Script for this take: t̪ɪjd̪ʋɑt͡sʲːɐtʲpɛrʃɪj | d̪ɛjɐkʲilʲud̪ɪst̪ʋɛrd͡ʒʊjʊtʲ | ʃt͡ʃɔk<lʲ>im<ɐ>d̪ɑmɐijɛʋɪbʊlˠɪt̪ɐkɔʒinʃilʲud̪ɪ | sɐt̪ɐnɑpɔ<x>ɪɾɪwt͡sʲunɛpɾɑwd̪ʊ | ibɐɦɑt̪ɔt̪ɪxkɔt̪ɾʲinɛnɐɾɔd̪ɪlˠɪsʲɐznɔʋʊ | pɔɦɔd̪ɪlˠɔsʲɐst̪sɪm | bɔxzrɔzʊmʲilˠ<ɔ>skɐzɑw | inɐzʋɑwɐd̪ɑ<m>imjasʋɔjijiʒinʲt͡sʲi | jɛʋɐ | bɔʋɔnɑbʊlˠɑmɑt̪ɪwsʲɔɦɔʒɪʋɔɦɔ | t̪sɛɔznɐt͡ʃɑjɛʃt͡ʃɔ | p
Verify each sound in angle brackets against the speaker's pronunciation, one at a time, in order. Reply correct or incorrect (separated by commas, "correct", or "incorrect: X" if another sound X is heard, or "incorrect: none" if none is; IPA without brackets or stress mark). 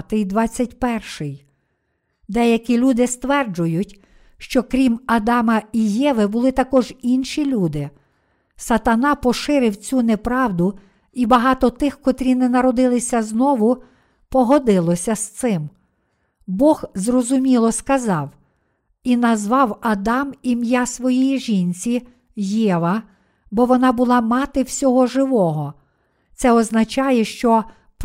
incorrect: ɾʲ, correct, incorrect: ʃ, correct, correct